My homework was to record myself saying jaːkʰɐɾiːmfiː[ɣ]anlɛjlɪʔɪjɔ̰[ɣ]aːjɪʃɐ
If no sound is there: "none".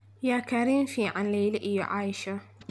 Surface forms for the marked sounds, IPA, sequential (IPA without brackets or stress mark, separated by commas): ʕ, ʕ